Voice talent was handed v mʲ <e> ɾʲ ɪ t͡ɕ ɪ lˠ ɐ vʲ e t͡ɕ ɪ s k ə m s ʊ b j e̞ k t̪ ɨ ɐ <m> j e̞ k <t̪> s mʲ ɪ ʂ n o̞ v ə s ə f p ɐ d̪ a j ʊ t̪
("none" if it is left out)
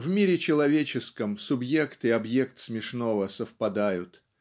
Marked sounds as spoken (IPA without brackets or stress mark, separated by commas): i, b, t̪